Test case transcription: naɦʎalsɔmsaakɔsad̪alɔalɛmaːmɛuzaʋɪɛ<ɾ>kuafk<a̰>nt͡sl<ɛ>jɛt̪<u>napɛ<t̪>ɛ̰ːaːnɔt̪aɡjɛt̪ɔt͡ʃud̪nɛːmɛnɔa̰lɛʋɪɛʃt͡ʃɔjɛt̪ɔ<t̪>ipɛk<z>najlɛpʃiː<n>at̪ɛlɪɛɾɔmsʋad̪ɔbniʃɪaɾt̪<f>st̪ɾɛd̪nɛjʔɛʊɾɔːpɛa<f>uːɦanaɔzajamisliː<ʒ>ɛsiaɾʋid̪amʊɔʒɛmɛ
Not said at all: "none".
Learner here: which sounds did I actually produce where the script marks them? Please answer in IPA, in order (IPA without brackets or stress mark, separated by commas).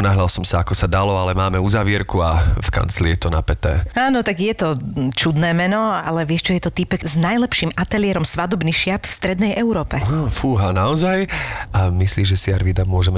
ɾ, a̰, i, ɔ, t̪, t̪, z, m, f, f, ʒ